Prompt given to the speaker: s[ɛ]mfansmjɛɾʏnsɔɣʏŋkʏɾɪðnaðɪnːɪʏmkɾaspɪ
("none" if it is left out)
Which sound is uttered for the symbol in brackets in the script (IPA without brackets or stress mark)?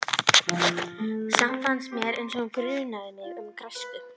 a